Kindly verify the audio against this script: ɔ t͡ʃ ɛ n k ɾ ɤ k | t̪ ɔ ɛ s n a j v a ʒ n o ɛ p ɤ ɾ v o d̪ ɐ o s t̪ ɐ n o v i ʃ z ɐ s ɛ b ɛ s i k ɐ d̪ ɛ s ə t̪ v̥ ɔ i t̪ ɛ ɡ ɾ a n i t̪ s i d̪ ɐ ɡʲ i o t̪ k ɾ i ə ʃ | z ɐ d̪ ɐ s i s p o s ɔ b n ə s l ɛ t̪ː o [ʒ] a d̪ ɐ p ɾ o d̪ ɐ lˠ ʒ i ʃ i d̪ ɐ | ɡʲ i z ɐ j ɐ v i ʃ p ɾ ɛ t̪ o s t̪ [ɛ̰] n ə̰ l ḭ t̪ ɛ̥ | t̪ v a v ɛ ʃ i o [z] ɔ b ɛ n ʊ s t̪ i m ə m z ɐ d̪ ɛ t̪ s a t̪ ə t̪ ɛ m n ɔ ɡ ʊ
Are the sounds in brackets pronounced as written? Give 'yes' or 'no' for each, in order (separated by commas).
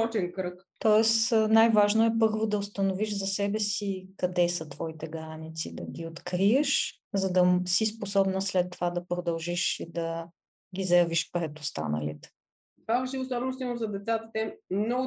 no, no, no